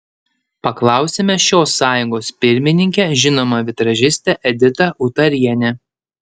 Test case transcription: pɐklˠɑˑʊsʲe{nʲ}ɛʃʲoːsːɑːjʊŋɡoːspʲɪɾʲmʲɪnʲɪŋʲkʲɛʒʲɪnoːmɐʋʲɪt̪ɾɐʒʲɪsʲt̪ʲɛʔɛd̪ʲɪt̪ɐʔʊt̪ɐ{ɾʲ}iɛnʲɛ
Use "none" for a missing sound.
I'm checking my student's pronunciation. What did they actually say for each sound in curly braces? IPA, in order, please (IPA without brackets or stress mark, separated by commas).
mʲ, ɾʲ